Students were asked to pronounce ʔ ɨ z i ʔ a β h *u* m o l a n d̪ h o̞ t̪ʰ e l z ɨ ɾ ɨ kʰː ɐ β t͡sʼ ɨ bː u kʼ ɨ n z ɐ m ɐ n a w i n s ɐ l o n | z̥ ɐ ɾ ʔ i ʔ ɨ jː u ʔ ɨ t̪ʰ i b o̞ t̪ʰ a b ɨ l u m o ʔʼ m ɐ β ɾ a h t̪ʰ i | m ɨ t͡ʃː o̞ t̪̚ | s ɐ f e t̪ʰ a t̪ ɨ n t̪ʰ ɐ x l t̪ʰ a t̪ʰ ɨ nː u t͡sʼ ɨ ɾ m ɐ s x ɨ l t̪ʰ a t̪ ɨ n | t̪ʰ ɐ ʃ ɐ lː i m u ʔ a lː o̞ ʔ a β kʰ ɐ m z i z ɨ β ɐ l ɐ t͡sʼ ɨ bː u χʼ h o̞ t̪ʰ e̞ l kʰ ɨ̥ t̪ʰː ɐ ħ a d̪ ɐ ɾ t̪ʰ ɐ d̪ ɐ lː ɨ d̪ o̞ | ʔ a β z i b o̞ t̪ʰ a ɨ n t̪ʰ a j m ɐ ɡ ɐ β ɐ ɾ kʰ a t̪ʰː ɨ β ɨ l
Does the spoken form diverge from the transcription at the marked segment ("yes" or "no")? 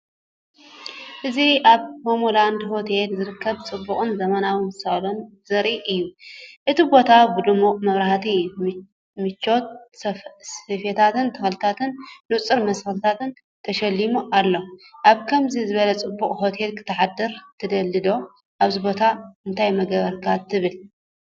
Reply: yes